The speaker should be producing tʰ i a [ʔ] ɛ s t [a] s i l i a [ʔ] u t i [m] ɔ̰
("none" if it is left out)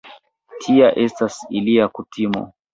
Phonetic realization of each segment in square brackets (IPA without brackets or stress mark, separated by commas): ʔ, a, k, m